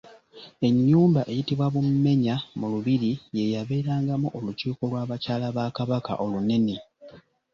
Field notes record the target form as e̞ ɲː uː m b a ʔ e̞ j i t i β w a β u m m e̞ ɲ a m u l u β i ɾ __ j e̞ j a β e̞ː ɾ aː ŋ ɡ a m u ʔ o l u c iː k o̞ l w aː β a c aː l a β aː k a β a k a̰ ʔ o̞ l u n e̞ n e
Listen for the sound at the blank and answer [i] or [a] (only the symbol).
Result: i